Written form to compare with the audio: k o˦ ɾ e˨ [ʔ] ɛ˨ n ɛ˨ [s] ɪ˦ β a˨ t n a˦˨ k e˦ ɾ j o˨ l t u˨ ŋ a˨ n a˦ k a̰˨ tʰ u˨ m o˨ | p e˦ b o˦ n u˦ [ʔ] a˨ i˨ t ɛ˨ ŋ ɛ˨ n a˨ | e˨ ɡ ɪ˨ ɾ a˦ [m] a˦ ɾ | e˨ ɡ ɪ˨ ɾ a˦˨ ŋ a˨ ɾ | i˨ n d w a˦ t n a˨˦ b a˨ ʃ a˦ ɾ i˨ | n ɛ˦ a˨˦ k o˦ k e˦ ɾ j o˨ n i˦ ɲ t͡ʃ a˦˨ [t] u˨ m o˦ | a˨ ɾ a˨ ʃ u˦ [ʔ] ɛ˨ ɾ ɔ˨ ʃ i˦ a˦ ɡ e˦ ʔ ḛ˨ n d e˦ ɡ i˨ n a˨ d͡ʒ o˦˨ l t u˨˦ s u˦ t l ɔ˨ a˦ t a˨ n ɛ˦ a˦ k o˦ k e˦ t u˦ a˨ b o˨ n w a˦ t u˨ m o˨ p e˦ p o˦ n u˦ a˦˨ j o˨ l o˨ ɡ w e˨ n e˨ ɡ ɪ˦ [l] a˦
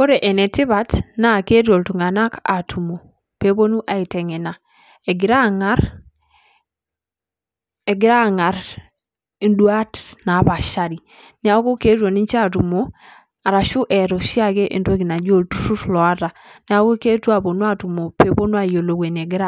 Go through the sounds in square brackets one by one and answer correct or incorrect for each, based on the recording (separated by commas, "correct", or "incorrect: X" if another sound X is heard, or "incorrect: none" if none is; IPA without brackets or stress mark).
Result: correct, incorrect: t, correct, incorrect: ŋ, correct, correct, incorrect: ɾ